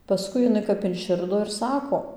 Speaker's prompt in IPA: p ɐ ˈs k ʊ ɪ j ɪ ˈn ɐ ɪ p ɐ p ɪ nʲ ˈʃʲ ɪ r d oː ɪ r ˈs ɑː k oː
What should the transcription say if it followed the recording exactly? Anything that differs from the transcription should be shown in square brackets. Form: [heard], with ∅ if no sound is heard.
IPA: p ɐ ˈs k ʊ ɪ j ɪ ˈn ɐ ɪ [k] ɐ p ɪ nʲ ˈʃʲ ɪ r d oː ɪ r ˈs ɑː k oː